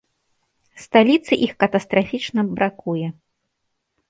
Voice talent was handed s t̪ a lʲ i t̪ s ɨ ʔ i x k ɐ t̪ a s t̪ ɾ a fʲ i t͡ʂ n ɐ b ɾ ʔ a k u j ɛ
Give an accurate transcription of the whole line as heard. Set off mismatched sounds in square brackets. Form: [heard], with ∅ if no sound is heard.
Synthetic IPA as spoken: s t̪ a lʲ i t̪ s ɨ ʔ i x k ɐ t̪ [ɐ] s t̪ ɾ a fʲ i t͡ʂ n ɐ b ɾ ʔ a k u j ɛ